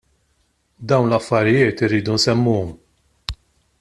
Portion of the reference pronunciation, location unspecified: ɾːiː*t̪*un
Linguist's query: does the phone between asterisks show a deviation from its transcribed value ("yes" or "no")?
yes